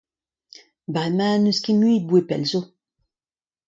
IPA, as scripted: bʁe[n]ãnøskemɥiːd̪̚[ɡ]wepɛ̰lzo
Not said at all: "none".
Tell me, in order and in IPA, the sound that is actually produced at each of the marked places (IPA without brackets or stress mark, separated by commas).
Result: m, b